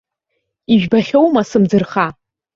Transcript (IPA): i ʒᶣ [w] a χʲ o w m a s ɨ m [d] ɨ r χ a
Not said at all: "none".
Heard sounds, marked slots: b, d͡z

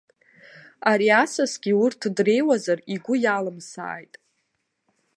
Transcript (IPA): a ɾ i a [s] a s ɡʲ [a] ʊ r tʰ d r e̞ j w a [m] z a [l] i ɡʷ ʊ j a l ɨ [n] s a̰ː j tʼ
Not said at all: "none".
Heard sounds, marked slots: s, i, none, r, m

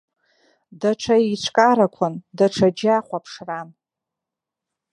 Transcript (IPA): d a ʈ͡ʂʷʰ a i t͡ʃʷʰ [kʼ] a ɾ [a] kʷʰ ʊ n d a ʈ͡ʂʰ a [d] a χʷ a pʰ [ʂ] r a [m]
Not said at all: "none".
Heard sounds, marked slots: kʼ, a, d͡ʒ, ʂ, n

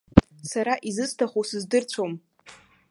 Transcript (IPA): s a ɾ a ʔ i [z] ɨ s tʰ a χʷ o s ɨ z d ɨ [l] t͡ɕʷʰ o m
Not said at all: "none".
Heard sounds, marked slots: z, r

